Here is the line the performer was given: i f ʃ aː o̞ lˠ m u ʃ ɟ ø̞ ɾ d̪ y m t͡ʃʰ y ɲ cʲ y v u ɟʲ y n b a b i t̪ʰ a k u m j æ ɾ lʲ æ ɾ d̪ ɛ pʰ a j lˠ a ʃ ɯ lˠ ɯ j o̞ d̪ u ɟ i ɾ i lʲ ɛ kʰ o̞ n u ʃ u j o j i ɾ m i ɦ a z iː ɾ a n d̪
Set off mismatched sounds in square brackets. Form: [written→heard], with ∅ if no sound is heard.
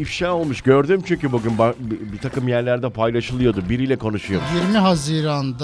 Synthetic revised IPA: i f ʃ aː o̞ lˠ m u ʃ ɟ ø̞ ɾ d̪ y m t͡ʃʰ y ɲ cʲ y [v→b] u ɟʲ y n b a b i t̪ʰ a k [u→ɯ] m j æ ɾ lʲ æ ɾ d̪ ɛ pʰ a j lˠ a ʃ ɯ lˠ ɯ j o̞ d̪ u [ɟ→b] i ɾ i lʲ ɛ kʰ o̞ n u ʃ u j o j i ɾ m i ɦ a z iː ɾ a n d̪